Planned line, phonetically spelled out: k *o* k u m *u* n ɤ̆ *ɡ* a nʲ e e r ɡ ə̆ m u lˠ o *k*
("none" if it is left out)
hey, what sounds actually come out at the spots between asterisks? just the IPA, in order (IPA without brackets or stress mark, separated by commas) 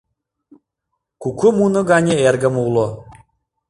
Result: u, u, ɡ, none